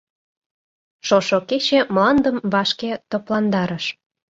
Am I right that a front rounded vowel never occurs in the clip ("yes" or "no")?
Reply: yes